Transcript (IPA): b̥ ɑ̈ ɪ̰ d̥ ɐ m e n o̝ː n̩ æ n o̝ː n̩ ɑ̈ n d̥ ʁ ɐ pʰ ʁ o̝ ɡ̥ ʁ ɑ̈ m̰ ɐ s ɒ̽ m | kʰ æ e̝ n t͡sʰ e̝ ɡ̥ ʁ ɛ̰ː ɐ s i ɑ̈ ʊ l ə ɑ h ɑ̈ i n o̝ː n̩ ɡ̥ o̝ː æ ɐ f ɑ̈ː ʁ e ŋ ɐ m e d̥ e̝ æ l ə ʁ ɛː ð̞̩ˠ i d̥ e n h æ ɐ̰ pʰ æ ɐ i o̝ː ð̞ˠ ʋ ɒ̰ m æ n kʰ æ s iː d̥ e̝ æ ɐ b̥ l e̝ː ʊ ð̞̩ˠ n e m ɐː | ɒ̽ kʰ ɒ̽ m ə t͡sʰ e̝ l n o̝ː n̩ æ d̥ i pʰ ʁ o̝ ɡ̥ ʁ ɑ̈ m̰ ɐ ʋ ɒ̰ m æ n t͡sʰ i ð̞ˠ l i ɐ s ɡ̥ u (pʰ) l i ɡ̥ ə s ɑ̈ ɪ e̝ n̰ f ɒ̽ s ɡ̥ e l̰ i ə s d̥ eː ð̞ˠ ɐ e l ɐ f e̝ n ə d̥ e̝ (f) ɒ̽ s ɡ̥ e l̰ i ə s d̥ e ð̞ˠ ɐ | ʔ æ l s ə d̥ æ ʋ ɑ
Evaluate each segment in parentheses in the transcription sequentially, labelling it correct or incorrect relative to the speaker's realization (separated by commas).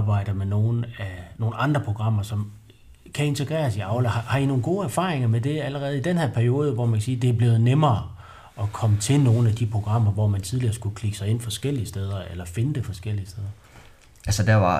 incorrect, correct